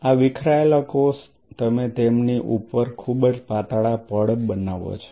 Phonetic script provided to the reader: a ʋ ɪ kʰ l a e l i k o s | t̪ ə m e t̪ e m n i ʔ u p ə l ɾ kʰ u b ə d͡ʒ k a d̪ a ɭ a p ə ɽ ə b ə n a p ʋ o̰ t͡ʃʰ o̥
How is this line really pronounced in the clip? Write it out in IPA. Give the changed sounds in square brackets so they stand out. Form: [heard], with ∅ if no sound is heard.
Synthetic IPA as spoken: a ʋ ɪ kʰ [ɾ] a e l [a] k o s | t̪ ə m e t̪ e m n i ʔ u p ə [∅] ɾ kʰ u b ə d͡ʒ [p] a [t̪] a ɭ a p ə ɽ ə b ə n a [∅] ʋ o̰ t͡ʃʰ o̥